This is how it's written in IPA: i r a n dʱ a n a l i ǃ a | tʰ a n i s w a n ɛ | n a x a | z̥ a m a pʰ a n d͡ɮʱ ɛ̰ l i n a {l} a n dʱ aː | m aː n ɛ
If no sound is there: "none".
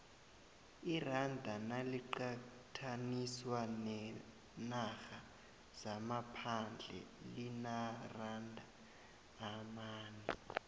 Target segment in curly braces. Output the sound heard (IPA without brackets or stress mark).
r